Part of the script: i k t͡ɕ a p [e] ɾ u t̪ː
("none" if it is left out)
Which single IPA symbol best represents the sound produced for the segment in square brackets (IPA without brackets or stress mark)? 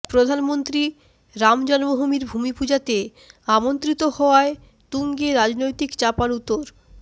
a